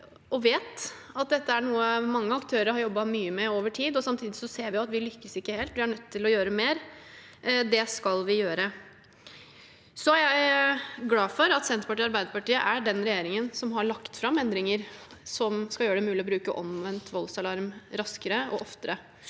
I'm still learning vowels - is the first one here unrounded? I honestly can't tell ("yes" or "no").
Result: no